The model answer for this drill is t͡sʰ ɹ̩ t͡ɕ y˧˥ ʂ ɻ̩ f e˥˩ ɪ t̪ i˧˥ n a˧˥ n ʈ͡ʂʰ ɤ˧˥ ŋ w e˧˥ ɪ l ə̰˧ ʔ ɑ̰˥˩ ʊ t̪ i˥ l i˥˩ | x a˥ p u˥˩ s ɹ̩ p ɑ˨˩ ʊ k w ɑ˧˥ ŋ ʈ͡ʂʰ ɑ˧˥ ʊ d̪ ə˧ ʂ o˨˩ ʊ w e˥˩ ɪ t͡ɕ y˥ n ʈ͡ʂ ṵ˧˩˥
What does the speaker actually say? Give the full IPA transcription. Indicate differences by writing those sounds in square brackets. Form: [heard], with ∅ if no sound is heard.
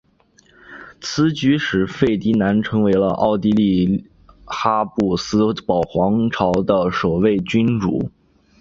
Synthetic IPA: t͡sʰ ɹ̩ t͡ɕ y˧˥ ʂ ɻ̩ f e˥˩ ɪ t̪ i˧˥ n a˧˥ n ʈ͡ʂʰ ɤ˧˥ ŋ w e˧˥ ɪ l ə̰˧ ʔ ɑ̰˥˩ ʊ t̪ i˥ l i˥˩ | x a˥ p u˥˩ s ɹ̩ p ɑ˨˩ ʊ [x] w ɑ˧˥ ŋ ʈ͡ʂʰ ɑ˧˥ ʊ d̪ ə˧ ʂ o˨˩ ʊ w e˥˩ ɪ t͡ɕ y˥ n ʈ͡ʂ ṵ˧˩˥